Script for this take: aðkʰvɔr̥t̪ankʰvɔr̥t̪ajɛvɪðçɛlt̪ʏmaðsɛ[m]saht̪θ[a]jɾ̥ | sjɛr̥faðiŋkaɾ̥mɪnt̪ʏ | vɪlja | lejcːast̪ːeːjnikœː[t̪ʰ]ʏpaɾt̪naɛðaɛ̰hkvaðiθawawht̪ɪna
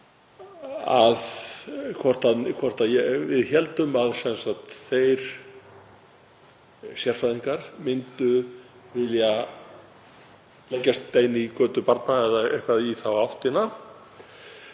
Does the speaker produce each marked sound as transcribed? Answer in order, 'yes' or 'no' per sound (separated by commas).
no, no, no